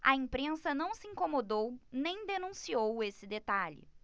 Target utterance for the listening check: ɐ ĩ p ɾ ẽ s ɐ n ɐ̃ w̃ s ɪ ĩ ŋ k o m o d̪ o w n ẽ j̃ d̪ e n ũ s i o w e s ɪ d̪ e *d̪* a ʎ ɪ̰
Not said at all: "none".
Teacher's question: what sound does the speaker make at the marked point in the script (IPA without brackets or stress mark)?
t̪